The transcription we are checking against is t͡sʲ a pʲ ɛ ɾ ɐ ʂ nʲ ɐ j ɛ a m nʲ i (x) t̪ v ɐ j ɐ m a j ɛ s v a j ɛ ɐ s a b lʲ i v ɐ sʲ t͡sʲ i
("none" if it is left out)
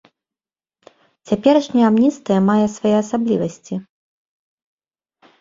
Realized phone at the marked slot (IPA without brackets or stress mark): s